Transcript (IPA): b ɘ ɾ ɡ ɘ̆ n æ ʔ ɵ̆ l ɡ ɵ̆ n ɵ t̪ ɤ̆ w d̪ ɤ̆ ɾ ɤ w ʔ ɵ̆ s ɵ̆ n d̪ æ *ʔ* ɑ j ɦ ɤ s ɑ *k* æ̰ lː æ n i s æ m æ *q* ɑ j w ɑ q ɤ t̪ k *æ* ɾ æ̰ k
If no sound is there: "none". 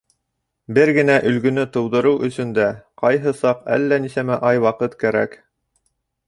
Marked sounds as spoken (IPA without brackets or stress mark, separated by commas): q, q, ʔ, æ